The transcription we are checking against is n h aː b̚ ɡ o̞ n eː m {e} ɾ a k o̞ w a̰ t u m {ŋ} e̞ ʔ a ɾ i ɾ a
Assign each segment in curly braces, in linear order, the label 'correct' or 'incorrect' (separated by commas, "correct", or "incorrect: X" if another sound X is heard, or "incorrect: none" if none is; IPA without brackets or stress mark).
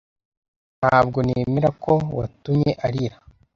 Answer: correct, incorrect: ɲ